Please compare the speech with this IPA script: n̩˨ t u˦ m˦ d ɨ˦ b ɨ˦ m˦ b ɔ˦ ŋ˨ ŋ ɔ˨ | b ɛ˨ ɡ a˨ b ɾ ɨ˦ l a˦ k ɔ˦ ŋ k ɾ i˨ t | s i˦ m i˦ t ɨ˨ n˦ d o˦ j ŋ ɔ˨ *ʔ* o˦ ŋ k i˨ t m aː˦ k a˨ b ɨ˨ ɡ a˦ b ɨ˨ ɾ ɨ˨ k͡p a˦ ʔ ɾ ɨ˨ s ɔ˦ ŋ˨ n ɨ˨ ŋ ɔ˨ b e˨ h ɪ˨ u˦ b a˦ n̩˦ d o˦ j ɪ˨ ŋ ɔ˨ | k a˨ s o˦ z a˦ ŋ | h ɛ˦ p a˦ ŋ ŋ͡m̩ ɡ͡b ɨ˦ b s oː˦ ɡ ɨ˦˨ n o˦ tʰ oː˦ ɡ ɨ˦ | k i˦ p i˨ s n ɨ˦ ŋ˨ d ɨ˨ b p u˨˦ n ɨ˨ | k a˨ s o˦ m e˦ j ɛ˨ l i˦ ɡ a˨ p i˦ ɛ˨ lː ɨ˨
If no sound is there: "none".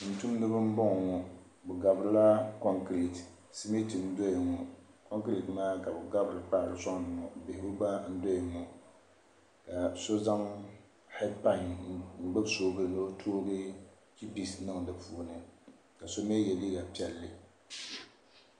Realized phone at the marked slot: k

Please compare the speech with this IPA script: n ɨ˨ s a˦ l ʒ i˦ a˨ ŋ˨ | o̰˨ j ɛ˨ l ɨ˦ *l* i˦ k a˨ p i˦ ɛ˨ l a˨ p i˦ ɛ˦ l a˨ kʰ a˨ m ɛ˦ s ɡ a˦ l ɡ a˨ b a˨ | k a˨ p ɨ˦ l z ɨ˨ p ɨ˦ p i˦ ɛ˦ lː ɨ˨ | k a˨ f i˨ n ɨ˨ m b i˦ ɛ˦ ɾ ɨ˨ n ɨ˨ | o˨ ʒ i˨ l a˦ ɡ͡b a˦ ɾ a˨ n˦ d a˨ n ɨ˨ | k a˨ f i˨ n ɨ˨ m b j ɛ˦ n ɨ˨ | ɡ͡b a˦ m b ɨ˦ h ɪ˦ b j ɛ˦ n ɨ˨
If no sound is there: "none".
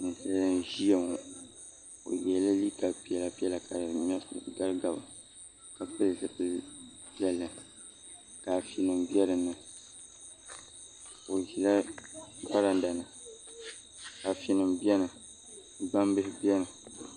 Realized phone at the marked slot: l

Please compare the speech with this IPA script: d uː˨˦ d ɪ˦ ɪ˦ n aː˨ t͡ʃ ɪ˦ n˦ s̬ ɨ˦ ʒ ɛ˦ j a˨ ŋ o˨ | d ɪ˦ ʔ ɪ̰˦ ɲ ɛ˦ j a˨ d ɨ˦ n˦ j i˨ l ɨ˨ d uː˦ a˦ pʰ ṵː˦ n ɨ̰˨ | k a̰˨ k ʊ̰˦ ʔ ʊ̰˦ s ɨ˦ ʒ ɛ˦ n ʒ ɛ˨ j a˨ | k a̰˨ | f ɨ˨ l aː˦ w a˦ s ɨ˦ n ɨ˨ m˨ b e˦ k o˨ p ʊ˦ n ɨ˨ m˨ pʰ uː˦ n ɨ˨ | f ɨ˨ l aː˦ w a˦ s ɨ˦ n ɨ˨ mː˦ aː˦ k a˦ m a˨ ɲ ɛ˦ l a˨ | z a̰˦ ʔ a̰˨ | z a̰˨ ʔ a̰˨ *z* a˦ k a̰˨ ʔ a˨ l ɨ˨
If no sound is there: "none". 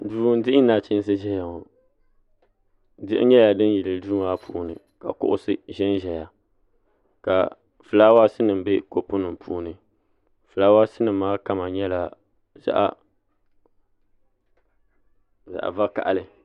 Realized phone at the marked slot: v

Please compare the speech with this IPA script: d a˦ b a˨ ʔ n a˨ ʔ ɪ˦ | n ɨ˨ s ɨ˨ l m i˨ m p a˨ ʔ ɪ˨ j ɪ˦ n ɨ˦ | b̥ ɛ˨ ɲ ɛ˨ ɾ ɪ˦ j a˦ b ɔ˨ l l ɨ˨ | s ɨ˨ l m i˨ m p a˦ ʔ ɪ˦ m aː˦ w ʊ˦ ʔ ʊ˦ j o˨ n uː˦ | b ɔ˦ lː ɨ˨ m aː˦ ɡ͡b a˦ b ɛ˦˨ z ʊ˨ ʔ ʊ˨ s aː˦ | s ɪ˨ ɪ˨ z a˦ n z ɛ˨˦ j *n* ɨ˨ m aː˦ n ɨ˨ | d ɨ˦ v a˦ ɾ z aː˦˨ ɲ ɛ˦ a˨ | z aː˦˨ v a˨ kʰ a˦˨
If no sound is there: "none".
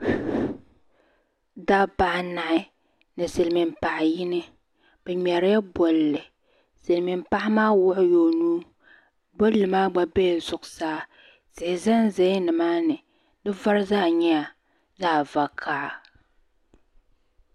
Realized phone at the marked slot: n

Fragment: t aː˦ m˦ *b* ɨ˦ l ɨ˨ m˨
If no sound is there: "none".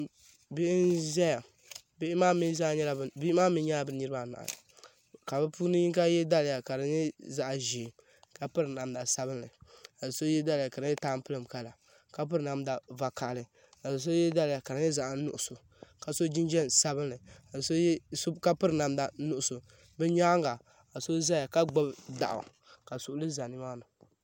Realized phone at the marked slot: p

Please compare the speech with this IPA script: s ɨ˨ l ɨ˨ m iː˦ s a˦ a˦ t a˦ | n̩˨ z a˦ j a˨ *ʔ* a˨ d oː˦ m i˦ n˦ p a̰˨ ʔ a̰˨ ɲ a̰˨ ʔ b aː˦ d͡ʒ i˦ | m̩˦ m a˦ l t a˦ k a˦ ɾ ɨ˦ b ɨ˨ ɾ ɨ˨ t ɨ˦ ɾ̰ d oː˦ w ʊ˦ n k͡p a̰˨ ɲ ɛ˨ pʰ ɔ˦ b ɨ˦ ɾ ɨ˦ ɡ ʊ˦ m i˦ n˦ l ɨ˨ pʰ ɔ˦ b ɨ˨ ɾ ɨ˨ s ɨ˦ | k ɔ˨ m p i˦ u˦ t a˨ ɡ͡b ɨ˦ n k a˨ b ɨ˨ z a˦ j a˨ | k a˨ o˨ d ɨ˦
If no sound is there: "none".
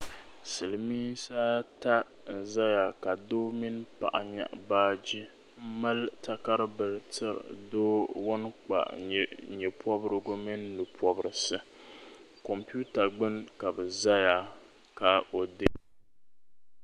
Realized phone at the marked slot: k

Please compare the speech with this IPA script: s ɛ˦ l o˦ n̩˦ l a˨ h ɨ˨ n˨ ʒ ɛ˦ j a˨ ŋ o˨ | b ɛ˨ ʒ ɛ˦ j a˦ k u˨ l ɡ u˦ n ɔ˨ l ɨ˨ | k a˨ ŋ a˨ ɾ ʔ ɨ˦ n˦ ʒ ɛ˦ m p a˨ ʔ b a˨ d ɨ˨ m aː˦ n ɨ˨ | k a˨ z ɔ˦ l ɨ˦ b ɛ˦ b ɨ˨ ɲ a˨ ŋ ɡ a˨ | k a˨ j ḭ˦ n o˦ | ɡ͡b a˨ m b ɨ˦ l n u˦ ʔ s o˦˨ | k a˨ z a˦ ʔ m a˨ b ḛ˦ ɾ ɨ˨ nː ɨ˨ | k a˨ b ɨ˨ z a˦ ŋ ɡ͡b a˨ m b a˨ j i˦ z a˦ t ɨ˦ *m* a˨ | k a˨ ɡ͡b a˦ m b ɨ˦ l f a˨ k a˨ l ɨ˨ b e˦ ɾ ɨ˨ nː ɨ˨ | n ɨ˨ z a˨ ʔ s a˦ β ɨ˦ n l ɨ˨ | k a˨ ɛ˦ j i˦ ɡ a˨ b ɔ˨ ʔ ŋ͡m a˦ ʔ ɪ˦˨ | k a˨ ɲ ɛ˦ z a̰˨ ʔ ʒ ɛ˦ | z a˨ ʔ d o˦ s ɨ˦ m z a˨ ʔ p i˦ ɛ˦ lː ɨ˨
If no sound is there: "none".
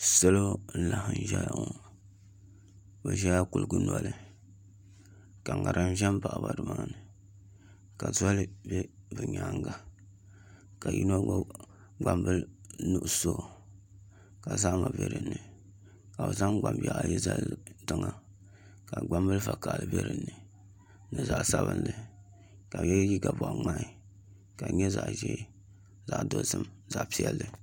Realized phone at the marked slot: ŋ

